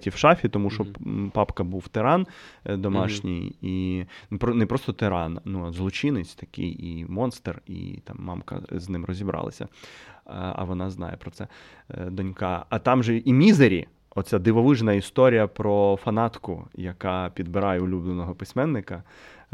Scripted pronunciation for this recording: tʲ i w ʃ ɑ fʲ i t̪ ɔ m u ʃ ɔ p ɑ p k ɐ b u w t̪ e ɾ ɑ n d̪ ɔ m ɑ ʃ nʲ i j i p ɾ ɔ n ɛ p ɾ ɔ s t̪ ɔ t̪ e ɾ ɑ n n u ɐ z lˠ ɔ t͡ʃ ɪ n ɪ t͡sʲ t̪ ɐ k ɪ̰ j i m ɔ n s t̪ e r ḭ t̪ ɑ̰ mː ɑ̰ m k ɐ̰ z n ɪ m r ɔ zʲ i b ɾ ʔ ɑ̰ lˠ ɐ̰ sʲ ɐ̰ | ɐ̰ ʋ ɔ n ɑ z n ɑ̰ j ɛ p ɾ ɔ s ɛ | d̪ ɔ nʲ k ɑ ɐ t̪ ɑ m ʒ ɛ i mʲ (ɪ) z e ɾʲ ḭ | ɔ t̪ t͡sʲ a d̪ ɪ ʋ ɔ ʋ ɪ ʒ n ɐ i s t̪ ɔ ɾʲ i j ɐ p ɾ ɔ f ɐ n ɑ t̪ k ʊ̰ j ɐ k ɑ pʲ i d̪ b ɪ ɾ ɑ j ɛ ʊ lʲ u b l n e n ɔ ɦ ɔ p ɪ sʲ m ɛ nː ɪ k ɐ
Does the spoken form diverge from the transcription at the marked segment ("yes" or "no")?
yes